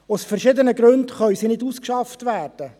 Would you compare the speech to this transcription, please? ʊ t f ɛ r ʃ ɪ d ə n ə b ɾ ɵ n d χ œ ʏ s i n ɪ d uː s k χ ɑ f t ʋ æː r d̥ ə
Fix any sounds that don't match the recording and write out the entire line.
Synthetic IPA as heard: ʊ s f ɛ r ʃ ɪ d ə n ə ɡ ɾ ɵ n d χ œ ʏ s i n ɪ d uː s k ʃ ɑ f t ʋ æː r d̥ ə